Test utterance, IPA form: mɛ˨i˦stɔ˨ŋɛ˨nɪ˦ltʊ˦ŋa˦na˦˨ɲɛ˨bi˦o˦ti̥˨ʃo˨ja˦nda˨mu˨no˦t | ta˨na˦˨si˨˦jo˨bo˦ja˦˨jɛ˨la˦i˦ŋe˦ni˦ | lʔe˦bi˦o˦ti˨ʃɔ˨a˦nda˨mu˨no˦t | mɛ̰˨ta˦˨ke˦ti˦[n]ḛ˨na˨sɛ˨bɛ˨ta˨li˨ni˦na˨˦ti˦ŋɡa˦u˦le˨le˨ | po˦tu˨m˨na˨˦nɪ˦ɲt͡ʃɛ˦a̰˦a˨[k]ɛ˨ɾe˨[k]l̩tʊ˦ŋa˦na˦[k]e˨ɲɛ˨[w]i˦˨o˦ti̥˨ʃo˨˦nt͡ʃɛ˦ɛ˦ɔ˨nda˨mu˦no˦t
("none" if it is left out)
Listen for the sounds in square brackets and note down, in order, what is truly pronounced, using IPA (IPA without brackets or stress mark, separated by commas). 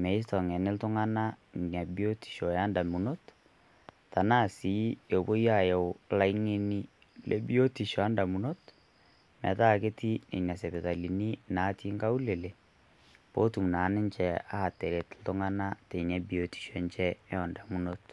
n, t, t, t, b